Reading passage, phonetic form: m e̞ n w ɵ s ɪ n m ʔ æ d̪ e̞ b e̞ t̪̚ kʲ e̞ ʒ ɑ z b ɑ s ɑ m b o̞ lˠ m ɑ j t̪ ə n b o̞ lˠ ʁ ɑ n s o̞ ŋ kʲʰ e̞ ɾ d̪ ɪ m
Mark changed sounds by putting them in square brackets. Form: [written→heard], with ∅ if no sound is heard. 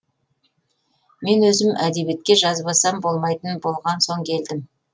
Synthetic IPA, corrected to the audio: m e̞ n w ɵ [s→z] ɪ [n→∅] m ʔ æ d̪ e̞ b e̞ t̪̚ kʲ e̞ ʒ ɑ z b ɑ s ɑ m b o̞ lˠ m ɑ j t̪ ə n b o̞ lˠ ʁ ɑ n s o̞ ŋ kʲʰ e̞ [ɾ→l] d̪ ɪ m